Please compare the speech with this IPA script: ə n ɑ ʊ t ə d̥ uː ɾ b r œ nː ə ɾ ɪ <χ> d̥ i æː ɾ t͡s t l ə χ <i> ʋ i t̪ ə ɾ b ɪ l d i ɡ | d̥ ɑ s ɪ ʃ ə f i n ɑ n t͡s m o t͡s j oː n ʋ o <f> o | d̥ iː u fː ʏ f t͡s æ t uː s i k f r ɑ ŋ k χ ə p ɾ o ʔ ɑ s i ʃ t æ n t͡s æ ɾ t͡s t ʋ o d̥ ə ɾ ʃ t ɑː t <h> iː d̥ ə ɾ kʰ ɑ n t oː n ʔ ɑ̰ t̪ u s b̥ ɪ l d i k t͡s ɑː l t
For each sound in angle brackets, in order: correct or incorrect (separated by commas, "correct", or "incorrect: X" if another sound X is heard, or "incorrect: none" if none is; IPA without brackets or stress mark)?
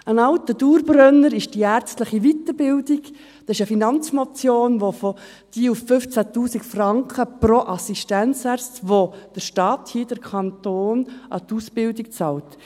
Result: incorrect: ʃ, correct, correct, correct